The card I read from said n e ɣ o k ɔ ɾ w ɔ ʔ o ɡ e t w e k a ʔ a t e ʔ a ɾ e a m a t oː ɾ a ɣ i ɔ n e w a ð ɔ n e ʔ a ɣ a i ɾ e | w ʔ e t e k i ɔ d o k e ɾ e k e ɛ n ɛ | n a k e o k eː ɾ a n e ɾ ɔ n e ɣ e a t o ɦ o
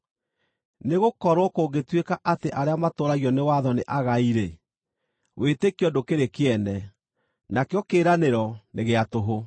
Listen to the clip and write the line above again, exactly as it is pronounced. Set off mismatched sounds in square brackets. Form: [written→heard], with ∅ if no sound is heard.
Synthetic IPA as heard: n e ɣ o k ɔ ɾ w ɔ [ʔ→k] o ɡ e t w e k a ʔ a t e ʔ a ɾ e a m a t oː ɾ a ɣ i ɔ n e w a ð ɔ n e ʔ a ɣ a i ɾ e | w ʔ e t e k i ɔ d o k e ɾ e k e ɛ n ɛ | n a k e [o→ɔ] k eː ɾ a n e ɾ ɔ n e ɣ e a t o ɦ o